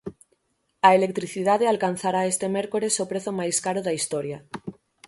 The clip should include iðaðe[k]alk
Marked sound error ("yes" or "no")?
yes